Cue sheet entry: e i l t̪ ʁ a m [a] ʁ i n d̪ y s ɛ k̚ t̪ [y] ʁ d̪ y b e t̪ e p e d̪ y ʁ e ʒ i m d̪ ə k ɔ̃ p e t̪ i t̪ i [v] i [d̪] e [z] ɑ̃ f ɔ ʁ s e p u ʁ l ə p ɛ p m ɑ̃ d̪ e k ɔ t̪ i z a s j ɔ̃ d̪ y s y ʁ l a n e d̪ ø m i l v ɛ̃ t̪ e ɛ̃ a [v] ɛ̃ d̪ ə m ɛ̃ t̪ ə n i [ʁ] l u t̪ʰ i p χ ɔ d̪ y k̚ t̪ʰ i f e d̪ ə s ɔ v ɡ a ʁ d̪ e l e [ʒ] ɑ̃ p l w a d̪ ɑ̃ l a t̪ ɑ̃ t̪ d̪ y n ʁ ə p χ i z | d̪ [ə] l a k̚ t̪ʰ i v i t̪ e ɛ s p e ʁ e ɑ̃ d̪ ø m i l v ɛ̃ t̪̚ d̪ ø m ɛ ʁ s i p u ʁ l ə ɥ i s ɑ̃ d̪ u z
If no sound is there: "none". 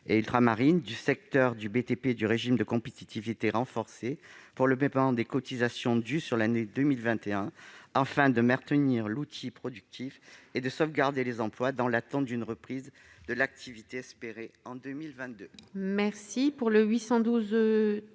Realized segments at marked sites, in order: a, œ, v, t̪, ʁ, f, ʁ, z, ə

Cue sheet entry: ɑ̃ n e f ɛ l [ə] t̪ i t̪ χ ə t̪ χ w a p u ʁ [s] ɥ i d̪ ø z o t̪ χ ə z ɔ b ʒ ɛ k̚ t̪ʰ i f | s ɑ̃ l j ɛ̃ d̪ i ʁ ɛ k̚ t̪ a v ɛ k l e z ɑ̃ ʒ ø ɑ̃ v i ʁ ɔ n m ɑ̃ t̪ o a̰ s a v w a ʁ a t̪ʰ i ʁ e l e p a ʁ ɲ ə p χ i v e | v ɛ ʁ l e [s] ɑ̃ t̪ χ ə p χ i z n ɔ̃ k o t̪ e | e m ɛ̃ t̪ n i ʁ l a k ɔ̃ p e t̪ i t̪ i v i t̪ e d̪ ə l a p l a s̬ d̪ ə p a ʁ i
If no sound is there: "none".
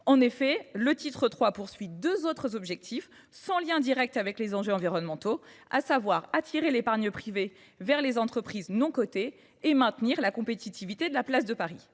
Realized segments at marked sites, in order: ə, s, z

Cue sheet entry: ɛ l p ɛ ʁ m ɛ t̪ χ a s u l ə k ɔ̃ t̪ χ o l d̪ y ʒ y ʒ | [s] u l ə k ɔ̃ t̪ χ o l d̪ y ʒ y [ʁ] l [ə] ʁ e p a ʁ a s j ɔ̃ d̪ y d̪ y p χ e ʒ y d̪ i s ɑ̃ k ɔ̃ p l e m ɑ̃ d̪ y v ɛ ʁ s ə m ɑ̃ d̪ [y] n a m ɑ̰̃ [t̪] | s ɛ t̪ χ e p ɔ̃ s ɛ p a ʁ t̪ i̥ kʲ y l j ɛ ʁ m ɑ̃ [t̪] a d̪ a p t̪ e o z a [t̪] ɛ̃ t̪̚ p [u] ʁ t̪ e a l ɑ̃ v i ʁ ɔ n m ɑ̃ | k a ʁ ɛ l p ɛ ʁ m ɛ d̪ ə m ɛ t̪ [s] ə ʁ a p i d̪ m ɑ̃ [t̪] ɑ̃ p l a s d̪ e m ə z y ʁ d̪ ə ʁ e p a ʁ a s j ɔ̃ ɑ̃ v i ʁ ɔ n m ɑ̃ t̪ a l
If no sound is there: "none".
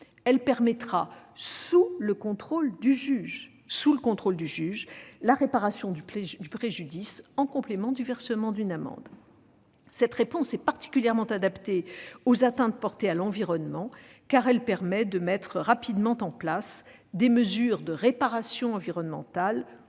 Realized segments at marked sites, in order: s, ʒ, a, y, d̪, t̪, t̪, ɔ, χ, t̪

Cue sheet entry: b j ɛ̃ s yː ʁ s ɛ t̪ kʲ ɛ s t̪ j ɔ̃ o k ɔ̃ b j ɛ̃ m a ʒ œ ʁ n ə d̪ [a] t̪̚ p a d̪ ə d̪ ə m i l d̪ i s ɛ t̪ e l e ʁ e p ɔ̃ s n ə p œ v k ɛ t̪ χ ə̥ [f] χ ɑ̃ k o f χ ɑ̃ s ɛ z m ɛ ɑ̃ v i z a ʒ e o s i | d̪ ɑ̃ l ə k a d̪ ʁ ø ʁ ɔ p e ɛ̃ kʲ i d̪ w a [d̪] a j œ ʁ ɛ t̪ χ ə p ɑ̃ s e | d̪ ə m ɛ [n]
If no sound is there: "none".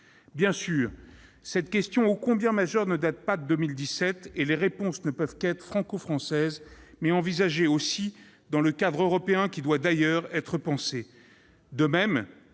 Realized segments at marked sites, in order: a, f, d̪, m

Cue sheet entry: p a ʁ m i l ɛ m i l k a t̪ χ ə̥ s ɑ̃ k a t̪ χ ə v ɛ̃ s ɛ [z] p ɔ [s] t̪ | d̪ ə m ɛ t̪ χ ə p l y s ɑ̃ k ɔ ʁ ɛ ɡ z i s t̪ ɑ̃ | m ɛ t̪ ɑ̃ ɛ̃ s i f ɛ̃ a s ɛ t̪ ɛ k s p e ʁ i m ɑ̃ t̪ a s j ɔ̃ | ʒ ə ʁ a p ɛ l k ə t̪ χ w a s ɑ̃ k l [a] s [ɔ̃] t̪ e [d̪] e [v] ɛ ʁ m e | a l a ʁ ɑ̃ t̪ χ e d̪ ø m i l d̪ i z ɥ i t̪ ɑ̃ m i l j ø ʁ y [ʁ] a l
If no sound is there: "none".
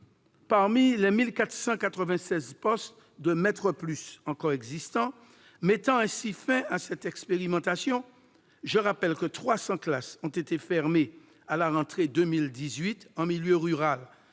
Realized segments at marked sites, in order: z, s, a, ɔ̃, t̪, f, ʁ

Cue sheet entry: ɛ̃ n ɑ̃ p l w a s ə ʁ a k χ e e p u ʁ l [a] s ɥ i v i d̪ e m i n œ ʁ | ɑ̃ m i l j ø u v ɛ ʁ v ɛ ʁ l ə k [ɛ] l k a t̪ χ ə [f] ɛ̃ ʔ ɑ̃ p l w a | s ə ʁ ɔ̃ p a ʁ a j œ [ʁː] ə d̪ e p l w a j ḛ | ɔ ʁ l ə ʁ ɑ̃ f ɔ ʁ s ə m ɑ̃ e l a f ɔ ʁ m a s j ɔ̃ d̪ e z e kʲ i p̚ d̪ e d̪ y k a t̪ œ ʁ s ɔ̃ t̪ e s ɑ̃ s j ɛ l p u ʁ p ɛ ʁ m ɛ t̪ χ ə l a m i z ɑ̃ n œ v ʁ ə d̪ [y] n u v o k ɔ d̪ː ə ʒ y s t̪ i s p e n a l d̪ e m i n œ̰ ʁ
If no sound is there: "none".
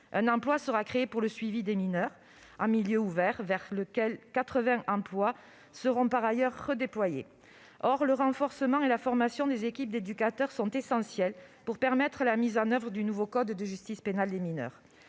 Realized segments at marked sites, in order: ə, ɛ, v, ʁː, y

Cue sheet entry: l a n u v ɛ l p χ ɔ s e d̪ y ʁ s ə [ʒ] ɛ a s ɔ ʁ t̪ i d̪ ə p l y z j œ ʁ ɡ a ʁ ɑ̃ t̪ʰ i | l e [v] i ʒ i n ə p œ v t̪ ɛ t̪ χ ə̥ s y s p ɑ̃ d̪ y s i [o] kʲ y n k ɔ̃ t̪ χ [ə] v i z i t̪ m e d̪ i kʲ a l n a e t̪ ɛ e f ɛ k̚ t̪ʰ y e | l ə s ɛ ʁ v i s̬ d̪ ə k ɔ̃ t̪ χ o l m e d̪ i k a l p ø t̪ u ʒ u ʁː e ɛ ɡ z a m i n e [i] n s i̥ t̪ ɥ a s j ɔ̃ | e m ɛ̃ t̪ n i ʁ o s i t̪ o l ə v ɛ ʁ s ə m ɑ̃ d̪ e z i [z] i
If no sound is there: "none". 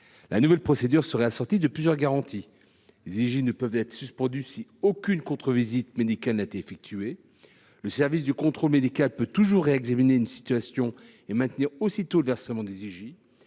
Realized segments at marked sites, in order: ʁ, z, o, ə, y, ʒ

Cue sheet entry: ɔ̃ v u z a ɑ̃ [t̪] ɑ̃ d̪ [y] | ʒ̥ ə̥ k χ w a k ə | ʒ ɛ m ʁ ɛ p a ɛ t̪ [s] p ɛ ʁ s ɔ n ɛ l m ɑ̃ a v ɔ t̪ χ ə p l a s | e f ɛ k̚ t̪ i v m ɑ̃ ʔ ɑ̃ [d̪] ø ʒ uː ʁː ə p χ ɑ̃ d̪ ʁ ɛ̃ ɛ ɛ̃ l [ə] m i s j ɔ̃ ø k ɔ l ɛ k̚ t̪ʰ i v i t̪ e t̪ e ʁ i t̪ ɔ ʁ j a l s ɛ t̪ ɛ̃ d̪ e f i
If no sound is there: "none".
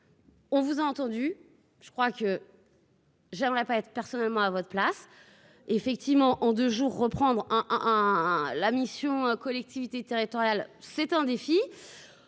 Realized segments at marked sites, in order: t̪, y, χ, d̪, a

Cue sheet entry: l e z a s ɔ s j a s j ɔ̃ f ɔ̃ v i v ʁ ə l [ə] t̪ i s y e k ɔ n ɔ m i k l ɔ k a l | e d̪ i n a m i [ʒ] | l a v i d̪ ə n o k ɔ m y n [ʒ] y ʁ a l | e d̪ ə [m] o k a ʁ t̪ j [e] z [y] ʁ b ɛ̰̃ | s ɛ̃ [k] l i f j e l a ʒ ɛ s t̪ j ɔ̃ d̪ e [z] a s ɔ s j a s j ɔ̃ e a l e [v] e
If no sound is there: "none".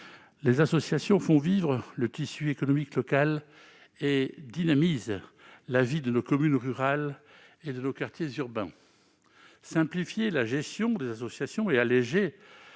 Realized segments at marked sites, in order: ə, z, ʁ, n, e, y, p, z, ʒ

